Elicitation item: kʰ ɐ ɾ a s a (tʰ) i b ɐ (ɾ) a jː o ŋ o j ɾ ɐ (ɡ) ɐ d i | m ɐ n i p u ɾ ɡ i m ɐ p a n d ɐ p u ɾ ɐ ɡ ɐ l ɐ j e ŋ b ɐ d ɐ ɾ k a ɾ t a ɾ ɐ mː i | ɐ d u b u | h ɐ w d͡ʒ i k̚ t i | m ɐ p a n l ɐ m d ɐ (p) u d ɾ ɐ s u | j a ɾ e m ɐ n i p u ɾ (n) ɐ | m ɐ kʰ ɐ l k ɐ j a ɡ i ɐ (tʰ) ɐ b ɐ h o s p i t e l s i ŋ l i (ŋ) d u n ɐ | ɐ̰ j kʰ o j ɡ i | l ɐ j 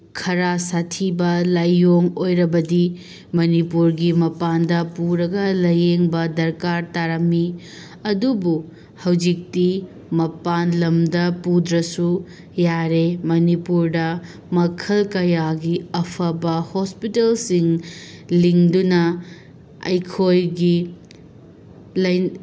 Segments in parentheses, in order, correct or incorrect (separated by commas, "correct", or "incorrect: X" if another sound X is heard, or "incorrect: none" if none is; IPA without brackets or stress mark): correct, incorrect: l, incorrect: b, correct, incorrect: d, incorrect: pʰ, correct